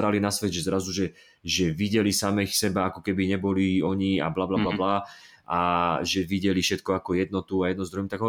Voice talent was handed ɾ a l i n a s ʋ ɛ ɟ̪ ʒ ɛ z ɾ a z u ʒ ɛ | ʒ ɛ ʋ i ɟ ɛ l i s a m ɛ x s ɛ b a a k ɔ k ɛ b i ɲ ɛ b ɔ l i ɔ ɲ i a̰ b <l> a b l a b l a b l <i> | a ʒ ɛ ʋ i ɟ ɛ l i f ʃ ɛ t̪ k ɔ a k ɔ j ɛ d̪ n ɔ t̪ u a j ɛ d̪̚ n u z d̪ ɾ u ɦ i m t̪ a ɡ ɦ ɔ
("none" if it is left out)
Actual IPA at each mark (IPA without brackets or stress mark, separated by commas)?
l, a